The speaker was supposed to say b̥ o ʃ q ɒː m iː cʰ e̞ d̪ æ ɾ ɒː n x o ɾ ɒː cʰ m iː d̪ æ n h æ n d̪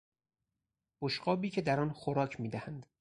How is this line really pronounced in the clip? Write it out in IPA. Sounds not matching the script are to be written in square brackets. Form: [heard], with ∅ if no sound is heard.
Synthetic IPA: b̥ o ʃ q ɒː [b] iː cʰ e̞ d̪ æ ɾ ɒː n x o ɾ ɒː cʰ m iː d̪ æ [∅] h æ n d̪